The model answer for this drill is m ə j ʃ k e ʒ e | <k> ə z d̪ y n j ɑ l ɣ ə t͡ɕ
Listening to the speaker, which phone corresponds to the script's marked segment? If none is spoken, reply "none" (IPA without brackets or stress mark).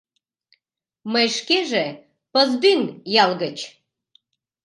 p